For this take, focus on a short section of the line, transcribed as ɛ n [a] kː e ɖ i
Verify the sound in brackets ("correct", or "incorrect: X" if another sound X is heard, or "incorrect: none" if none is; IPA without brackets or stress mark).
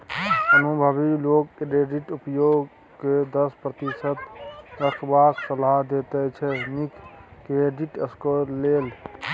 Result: incorrect: i